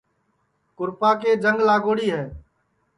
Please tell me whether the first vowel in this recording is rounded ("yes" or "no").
yes